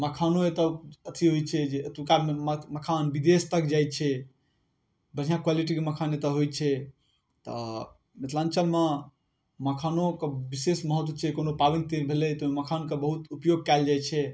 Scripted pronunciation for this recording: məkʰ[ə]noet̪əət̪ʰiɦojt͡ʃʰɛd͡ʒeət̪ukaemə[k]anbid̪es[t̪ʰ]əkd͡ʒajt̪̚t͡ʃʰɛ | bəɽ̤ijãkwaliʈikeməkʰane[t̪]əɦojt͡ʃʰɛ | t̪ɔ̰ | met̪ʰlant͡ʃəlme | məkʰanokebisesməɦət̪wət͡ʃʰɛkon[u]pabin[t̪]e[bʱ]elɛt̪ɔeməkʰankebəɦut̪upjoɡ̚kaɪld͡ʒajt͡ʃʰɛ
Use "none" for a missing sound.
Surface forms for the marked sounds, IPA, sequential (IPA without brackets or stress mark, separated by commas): a, kʰ, t̪, t̪, o, t̪, bʱ